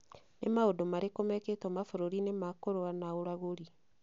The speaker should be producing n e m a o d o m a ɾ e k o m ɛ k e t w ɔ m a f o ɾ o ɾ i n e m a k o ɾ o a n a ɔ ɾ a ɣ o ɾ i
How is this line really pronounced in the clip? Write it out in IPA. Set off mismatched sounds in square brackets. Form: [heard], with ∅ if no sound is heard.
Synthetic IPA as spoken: n e m a o d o m a ɾ e k o m ɛ k e t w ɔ m a f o ɾ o ɾ i n e m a k o ɾ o a n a [o] ɾ a ɣ o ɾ i